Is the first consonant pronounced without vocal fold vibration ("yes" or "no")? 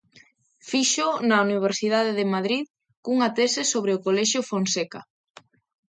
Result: yes